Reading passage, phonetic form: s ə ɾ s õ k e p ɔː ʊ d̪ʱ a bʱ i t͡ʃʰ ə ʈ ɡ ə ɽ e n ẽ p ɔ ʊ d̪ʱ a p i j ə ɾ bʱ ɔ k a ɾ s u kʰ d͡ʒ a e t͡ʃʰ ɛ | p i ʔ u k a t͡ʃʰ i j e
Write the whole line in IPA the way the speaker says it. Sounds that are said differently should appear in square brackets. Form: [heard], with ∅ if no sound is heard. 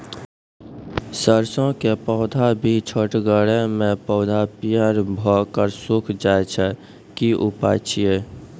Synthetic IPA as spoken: s ə ɾ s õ k e p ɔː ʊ d̪ʱ a bʱ i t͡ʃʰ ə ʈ ɡ ə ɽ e [m] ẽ p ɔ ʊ d̪ʱ a p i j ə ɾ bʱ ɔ k [ə] ɾ s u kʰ d͡ʒ a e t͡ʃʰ ɛ | [k] i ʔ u [p] a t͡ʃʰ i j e

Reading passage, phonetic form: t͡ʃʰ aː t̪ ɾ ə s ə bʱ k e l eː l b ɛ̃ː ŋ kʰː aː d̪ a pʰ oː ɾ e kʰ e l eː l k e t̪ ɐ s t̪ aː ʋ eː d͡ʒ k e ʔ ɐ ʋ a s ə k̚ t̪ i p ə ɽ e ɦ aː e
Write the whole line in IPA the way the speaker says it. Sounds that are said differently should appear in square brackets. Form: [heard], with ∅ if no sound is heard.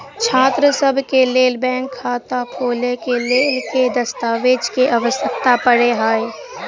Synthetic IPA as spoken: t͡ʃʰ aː t̪ ɾ ə s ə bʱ k e l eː l b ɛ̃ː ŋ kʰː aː [t̪] a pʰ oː [l] e [k] e l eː l k e [d̪] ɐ s t̪ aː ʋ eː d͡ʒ k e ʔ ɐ ʋ [ə] s ə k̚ t̪ [a] p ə ɽ e ɦ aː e

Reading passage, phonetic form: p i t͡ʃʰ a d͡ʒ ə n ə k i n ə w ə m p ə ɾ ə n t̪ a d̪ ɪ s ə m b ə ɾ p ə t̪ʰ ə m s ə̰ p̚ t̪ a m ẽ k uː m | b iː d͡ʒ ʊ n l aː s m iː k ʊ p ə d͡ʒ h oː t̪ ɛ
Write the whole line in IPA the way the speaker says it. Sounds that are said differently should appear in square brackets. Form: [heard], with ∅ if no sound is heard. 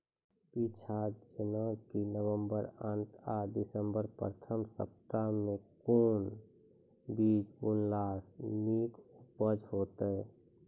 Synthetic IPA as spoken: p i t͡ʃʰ a d͡ʒ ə n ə k i n ə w ə m [b] ə ɾ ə n t̪ a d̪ ɪ s ə m b ə ɾ p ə t̪ʰ ə m s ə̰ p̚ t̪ a m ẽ k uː [n] | b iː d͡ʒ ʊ n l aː s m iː k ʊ p ə d͡ʒ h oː t̪ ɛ

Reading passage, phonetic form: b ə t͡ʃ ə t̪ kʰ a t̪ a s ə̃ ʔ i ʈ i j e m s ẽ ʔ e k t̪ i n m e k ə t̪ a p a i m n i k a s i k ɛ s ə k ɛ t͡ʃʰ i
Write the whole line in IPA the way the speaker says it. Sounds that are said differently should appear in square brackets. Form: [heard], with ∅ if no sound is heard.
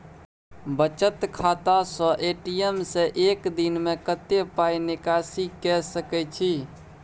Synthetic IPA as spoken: b ə t͡ʃ ə t̪ kʰ a t̪ a s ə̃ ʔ [e] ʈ i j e m s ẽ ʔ e k [d̪] i n m e k ə t̪ [e] p a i [∅] n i k a s i k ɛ s ə k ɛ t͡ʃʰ i

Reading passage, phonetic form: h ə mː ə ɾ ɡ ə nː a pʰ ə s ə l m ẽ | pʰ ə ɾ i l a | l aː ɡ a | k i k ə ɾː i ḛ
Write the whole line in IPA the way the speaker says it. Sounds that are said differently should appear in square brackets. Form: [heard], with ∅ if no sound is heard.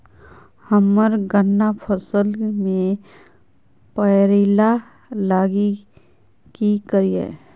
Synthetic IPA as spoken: h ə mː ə ɾ ɡ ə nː a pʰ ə s ə l m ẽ | [p] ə ɾ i l a | l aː ɡ [i] | k i k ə [ɾ] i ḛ

